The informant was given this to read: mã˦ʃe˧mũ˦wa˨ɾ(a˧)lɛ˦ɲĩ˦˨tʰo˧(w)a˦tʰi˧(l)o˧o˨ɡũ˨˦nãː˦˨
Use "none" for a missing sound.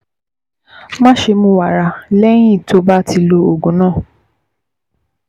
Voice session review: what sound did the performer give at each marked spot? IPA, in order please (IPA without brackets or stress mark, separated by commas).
a˧, b, l